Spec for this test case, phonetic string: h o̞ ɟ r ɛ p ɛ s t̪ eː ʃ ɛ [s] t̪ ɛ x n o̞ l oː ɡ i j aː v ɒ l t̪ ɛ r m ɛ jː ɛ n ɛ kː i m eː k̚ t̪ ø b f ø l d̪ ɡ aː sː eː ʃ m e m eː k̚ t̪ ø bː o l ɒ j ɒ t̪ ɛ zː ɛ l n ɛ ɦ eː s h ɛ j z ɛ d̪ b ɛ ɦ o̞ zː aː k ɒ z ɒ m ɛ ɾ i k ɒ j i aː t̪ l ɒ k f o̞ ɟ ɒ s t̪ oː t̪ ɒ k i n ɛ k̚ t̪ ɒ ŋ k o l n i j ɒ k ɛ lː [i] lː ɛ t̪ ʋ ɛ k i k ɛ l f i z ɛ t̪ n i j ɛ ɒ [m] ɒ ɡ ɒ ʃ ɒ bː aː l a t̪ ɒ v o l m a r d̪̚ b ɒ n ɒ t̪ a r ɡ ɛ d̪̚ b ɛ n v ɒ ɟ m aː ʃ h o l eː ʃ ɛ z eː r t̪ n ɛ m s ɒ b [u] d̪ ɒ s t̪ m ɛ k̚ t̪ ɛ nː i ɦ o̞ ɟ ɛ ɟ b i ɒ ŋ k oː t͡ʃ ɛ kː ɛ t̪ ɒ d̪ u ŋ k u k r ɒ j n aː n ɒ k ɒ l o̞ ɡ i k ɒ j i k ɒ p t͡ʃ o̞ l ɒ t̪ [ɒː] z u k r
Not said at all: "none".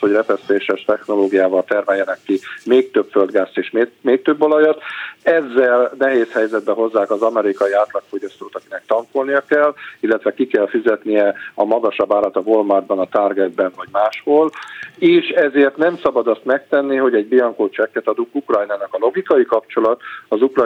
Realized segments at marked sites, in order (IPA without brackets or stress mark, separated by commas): ʃ, i, m, ɒ, ɒ